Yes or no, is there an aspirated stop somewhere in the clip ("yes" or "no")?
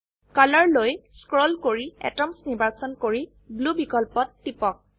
no